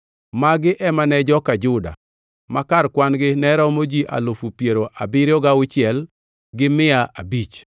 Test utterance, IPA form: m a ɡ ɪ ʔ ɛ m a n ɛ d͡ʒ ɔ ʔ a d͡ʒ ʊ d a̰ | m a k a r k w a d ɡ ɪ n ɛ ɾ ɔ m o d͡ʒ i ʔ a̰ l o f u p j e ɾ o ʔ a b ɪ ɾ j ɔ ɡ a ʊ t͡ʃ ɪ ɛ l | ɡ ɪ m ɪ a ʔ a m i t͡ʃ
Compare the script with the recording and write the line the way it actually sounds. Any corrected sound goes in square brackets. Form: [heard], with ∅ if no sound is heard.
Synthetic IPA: m a ɡ ɪ ʔ ɛ m a n ɛ d͡ʒ ɔ [k] a d͡ʒ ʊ d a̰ | m a k a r k w a [n] ɡ ɪ n ɛ ɾ ɔ m o d͡ʒ i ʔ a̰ l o f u p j e ɾ o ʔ a b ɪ ɾ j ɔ ɡ a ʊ t͡ʃ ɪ ɛ l | ɡ ɪ m ɪ a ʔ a [b] i t͡ʃ